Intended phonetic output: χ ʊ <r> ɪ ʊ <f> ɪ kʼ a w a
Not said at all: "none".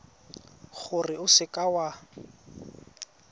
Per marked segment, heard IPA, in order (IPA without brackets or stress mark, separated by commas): r, s